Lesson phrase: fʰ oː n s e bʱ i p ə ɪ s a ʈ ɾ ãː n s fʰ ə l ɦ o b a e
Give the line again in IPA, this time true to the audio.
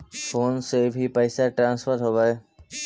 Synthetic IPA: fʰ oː n s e bʱ i p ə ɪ s a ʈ ɾ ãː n s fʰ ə ɾ ɦ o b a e